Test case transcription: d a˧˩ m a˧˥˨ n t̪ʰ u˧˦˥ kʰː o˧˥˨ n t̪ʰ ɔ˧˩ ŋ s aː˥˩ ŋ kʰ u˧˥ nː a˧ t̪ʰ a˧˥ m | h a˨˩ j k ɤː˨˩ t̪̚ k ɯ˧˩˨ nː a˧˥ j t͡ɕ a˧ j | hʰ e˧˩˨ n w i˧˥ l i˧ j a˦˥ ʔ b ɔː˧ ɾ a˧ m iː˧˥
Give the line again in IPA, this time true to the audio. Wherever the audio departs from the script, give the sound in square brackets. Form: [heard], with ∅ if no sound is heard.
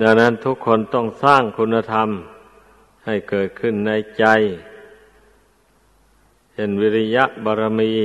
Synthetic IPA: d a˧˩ [n] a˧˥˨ n t̪ʰ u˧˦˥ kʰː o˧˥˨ n [t̪] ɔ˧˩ ŋ s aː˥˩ ŋ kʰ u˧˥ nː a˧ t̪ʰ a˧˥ m | h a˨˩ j k ɤː˨˩ t̪̚ [kʰ] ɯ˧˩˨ nː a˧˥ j t͡ɕ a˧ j | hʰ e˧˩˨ n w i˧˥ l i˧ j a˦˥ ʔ b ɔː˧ ɾ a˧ m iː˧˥